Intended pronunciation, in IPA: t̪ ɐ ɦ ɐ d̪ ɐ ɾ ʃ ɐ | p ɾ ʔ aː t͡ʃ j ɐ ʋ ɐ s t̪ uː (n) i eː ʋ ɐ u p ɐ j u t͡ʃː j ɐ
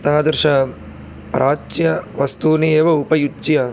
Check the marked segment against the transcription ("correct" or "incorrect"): correct